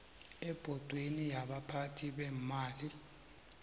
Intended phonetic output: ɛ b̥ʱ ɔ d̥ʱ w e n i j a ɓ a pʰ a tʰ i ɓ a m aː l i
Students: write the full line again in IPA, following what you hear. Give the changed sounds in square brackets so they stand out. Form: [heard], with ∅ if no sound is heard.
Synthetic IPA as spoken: ɛ b̥ʱ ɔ d̥ʱ w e n i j a ɓ a pʰ a tʰ i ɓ [ɛ] m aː l i